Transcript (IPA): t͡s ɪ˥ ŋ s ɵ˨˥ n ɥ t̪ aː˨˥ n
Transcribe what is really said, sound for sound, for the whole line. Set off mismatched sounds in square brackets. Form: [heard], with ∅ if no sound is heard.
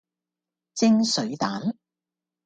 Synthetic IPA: t͡s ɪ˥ ŋ s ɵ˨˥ [∅] ɥ t̪ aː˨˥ n